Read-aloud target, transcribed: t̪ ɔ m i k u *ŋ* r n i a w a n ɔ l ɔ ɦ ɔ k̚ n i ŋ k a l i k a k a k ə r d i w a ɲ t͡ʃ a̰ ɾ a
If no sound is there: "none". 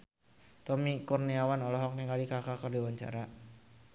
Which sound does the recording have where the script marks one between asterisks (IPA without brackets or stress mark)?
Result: none